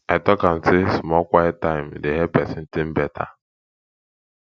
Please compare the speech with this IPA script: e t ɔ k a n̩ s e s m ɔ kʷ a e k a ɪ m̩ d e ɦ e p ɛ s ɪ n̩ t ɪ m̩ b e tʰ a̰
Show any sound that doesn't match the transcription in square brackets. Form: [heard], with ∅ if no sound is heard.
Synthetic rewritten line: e t ɔ k a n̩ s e s m ɔ kʷ a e [t] a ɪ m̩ d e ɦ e p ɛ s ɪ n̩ t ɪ m̩ b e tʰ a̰